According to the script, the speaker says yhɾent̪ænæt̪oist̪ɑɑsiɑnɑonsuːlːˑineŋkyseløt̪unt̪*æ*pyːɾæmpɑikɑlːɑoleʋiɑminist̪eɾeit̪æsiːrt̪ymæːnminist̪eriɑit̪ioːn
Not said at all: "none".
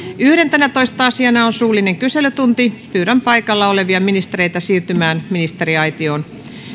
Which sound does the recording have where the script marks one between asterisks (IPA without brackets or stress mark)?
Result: i